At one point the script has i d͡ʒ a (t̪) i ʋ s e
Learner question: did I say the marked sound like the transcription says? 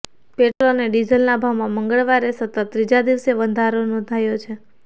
no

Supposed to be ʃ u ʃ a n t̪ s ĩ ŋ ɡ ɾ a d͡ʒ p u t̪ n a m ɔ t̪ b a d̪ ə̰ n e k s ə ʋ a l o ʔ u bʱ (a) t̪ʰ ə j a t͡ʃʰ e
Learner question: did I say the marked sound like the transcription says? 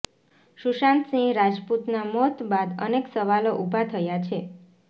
yes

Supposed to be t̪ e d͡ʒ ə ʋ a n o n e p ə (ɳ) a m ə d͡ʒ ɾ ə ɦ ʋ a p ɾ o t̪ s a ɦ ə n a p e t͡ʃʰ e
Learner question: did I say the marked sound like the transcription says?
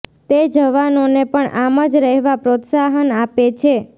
yes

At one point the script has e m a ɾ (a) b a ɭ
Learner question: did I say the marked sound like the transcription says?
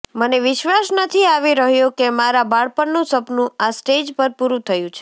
yes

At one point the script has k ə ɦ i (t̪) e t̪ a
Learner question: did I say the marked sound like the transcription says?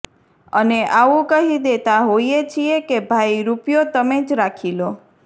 no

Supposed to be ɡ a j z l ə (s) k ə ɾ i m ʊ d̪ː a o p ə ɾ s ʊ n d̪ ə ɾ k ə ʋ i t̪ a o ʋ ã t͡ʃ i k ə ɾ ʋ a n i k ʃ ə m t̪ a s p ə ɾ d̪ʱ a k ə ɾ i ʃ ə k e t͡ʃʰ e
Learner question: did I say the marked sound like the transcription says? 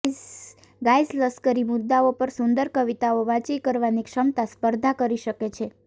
yes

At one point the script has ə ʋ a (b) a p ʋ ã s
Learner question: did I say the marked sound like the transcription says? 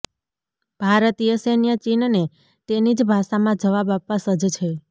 yes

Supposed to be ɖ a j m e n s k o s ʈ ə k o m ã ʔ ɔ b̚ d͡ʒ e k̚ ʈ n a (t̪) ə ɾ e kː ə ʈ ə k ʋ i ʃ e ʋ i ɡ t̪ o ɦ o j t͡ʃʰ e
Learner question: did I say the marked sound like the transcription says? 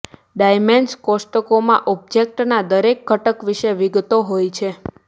no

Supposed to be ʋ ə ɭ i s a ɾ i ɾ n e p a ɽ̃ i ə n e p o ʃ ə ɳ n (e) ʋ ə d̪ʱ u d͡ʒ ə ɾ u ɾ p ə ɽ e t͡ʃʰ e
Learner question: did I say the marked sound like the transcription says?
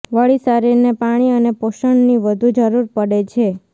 no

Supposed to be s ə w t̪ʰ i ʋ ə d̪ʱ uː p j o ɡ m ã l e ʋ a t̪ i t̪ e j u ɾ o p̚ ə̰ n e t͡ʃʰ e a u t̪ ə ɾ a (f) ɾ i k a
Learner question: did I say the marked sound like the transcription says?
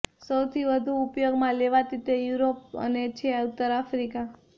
yes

